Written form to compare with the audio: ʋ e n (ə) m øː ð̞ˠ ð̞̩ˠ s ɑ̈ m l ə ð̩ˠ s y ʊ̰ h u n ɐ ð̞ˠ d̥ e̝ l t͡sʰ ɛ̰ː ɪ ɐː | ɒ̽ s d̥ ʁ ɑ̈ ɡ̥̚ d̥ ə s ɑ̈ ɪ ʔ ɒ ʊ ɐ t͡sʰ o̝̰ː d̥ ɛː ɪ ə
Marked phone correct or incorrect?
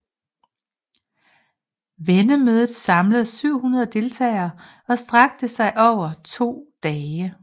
correct